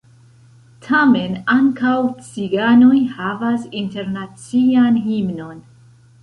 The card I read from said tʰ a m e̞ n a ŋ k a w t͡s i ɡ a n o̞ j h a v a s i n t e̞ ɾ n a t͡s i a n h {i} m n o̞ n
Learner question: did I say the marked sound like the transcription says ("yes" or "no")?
yes